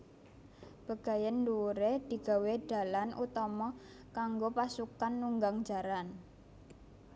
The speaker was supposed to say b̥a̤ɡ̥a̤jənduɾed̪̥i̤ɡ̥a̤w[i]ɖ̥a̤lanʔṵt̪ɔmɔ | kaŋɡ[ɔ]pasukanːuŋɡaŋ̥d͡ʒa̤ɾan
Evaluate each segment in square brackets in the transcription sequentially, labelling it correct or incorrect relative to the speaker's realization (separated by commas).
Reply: incorrect, incorrect